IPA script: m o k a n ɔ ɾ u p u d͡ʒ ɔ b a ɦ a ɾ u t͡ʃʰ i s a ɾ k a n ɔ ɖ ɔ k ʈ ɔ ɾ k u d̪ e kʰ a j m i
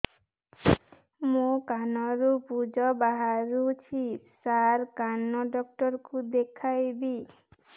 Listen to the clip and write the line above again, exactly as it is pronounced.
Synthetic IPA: m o k a n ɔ ɾ u p u d͡ʒ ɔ b a ɦ a ɾ u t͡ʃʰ i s a ɾ k a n ɔ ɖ ɔ k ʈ ɔ ɾ k u d̪ e kʰ a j b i